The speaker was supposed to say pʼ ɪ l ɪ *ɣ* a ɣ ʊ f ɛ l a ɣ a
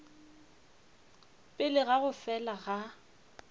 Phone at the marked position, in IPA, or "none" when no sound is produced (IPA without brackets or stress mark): ɣ